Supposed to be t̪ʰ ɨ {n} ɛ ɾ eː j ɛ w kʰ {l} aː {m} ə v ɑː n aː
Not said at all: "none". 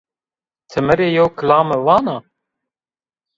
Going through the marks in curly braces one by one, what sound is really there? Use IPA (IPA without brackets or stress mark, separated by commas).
m, l, m